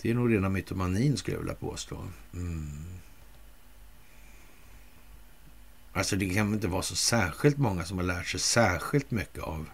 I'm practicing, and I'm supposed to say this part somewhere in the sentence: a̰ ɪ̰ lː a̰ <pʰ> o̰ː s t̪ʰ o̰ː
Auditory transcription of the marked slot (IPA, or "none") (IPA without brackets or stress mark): pʰ